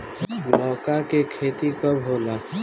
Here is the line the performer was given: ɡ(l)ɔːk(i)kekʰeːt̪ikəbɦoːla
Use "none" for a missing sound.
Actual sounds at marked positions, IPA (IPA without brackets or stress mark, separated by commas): l, a